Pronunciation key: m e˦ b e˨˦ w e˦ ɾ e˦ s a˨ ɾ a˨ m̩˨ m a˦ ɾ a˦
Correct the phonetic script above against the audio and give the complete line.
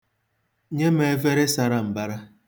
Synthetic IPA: ɲ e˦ m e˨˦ v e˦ ɾ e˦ s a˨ ɾ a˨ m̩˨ b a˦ ɾ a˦

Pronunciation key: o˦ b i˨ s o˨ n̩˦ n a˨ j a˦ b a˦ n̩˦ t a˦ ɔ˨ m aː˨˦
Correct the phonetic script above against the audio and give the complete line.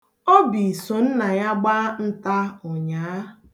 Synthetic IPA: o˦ b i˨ s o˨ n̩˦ n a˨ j a˦ ɡ͡b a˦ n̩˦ t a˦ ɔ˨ ɲ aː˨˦

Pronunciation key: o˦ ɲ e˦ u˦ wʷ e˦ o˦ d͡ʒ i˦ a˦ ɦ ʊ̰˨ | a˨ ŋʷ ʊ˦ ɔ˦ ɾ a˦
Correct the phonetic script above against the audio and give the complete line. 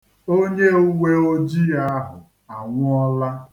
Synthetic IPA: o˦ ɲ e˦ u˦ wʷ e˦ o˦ d͡ʒ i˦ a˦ ɦ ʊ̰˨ | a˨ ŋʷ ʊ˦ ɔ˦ l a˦

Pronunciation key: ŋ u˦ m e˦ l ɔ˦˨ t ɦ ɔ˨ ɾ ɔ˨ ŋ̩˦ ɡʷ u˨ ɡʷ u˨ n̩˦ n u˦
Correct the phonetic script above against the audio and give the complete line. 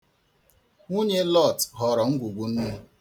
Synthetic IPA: ŋ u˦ ɲ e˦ l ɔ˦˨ t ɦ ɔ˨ ɾ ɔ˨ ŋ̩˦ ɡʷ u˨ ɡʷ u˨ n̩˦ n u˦

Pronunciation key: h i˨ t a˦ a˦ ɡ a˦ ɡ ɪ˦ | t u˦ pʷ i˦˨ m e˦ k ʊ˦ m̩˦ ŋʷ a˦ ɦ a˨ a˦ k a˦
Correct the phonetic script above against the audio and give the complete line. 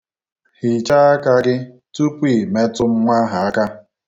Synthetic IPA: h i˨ t͡ʃ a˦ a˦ k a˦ ɡ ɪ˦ | t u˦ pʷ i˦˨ m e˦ t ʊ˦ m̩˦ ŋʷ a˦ ɦ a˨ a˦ k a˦

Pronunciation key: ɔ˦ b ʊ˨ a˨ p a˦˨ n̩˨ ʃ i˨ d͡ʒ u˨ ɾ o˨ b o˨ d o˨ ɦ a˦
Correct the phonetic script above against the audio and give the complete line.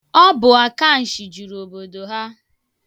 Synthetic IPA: ɔ˦ b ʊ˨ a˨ k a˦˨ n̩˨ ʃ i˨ d͡ʒ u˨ ɾ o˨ b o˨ d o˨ ɦ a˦

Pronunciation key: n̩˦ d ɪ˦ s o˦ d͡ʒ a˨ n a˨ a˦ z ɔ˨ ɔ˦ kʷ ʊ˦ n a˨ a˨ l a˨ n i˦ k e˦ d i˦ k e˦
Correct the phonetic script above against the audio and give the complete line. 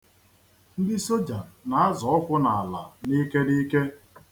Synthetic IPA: n̩˦ d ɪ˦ s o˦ d͡ʒ a˨ n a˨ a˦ z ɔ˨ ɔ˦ kʷ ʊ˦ n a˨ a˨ l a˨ n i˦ k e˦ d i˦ k e˦

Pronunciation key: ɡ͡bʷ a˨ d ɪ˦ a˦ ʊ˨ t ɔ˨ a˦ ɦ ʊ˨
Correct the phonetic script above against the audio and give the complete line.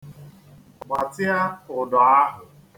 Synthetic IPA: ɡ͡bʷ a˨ t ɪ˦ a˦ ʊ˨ d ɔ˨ a˦ ɦ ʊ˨

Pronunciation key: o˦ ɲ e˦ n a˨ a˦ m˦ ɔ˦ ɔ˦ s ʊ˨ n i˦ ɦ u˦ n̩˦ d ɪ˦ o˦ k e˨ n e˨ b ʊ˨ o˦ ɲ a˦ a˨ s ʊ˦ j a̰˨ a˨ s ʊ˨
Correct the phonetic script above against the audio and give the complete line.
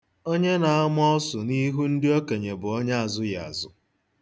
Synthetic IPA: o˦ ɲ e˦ n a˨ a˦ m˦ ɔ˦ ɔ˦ s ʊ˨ n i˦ ɦ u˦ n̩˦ d ɪ˦ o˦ k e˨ ɲ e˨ b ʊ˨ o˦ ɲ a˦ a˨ z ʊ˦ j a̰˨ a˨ z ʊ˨

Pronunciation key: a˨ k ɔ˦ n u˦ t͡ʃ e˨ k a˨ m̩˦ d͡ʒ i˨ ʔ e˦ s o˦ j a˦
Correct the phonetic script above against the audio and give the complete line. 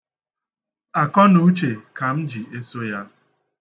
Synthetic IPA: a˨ k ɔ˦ n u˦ t͡ʃ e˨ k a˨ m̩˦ d͡ʒ i˨ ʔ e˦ s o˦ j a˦

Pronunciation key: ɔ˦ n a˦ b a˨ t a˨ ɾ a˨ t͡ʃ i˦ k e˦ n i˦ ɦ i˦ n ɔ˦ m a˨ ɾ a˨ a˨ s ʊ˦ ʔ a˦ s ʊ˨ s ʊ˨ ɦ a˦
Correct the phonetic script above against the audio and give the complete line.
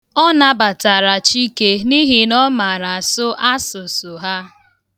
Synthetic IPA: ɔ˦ n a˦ b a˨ t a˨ ɾ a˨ t͡ʃ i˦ k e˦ n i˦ ɦ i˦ n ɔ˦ m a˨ ɾ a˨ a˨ s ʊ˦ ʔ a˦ s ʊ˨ s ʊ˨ ɦ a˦

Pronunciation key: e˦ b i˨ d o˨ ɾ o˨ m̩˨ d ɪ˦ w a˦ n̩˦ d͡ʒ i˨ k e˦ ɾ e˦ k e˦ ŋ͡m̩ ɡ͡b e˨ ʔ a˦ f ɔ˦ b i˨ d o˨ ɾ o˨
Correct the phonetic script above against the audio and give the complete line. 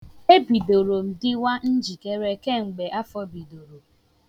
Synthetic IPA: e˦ b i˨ d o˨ ɾ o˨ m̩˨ d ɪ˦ w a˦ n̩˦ d͡ʒ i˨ k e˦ ɾ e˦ k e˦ ŋ͡m̩ ɡ͡b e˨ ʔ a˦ f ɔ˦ b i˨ d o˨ ɾ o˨

